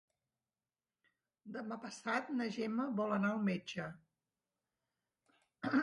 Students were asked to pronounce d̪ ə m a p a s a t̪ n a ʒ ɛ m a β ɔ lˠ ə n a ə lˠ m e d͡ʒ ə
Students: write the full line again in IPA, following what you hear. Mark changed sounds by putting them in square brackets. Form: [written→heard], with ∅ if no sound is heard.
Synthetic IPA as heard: d̪ ə m a p [a→ə] s a t̪ n [a→ə] ʒ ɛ m [a→ə] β ɔ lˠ ə n a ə lˠ m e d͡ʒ ə